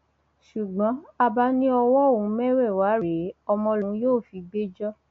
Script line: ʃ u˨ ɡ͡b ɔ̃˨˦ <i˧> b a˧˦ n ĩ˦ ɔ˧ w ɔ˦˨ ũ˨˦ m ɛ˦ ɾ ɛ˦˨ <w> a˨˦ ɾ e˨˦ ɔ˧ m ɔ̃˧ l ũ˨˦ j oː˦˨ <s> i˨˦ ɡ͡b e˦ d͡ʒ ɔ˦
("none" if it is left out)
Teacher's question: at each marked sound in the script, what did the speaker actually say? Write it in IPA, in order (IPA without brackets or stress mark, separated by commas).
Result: a˧, w, f